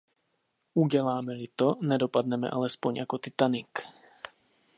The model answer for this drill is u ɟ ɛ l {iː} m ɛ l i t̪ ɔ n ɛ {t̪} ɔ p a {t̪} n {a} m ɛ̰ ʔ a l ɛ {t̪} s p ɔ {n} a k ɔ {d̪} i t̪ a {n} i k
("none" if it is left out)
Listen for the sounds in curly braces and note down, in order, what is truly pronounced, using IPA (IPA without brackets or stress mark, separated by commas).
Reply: aː, d̪, d̪, ɛ, none, ɲ, t̪, n